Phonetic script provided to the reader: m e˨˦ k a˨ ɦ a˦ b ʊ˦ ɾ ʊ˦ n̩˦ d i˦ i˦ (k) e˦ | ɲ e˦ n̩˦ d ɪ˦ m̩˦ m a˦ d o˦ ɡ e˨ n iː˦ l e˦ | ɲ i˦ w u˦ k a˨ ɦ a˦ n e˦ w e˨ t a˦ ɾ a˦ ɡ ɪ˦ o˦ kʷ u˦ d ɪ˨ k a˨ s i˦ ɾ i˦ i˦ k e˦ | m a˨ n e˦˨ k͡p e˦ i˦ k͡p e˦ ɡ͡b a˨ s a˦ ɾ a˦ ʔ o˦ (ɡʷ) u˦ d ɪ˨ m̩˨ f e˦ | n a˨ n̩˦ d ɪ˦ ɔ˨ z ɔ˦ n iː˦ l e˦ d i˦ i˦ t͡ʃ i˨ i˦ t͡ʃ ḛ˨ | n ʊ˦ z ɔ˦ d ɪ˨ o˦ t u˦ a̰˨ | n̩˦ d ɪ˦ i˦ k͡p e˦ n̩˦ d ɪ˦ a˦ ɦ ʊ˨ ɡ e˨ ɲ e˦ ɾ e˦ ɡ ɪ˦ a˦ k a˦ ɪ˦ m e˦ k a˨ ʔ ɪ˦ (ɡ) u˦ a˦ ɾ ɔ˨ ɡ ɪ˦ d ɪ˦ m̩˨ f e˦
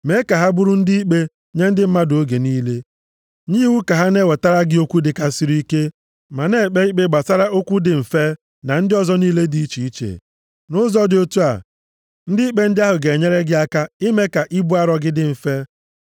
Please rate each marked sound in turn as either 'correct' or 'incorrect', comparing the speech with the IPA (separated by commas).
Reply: incorrect, incorrect, incorrect